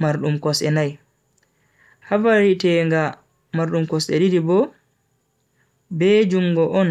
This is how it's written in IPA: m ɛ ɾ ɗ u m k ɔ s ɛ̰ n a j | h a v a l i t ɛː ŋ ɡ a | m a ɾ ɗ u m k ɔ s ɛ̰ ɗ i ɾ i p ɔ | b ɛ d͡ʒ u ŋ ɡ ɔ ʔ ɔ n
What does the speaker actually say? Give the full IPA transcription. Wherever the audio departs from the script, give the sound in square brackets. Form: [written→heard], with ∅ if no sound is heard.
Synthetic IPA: m [ɛ→a] ɾ ɗ u m k ɔ s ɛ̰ n a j | h a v a [l→ɾ] i t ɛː ŋ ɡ a | m a ɾ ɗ u m k ɔ s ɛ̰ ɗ i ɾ i [p→b] ɔ | b ɛ d͡ʒ u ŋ ɡ ɔ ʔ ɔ n